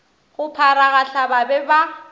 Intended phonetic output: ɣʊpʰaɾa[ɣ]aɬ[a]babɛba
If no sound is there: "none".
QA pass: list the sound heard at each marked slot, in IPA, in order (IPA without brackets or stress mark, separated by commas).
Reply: ɣ, a